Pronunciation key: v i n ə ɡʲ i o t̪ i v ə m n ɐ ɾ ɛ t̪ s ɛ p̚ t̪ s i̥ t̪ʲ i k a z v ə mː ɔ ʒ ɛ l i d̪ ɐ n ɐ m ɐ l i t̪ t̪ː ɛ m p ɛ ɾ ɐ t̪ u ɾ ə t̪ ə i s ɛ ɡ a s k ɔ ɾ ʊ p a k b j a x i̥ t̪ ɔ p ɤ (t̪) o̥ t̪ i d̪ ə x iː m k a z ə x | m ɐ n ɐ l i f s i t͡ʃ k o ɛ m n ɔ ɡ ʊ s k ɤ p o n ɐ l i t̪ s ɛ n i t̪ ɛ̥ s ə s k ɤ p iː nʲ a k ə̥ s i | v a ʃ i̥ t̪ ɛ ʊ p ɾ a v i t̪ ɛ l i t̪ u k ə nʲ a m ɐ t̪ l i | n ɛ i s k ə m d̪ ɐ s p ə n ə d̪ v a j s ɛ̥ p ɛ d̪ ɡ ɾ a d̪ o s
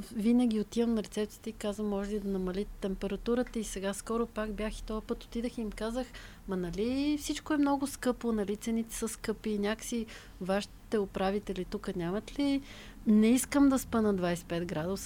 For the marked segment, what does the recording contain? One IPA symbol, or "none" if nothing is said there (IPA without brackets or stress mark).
t̪